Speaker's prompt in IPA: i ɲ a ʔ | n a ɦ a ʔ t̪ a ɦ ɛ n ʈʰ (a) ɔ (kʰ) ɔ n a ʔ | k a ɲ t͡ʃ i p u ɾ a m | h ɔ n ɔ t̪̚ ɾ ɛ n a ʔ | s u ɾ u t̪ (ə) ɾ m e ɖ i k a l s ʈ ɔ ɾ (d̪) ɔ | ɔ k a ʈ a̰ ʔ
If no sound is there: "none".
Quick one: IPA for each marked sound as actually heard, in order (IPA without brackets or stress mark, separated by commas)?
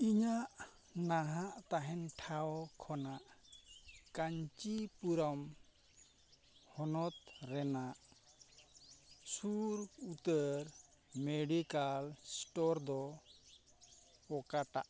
a, kʰ, ə, d̪